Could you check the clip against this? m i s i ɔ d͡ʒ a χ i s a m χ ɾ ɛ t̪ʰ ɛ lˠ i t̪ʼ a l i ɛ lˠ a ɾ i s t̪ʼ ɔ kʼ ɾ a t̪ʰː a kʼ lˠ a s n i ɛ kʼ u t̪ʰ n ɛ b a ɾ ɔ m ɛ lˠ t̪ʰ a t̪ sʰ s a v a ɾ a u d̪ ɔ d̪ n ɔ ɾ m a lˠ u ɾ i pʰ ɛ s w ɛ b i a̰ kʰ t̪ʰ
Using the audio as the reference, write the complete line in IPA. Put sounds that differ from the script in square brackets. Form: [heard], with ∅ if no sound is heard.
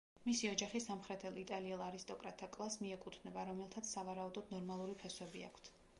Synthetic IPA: m i s i ɔ d͡ʒ a χ i s a m χ ɾ ɛ t̪ʰ ɛ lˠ i t̪ʼ a l i ɛ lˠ a ɾ i s t̪ʼ ɔ kʼ ɾ a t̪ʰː a kʼ lˠ a s [m] i ɛ kʼ u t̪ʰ n ɛ b a ɾ ɔ m ɛ lˠ t̪ʰ a t̪ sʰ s a v a ɾ a u d̪ ɔ d̪ n ɔ ɾ m a lˠ u ɾ i pʰ ɛ s w ɛ b i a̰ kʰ t̪ʰ